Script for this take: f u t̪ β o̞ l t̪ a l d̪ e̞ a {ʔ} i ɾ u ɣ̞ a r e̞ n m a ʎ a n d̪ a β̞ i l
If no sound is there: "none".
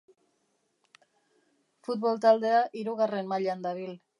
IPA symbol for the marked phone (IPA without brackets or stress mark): ʔ